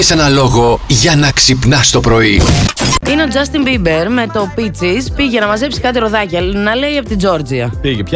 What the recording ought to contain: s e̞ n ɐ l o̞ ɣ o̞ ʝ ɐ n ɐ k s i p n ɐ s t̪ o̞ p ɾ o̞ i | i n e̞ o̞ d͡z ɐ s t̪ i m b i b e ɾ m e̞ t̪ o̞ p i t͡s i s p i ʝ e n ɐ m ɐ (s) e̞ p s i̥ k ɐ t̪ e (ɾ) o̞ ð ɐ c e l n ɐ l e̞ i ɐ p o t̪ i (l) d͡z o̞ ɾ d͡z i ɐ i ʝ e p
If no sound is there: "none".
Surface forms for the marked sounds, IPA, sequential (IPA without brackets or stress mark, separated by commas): z, ɾ, none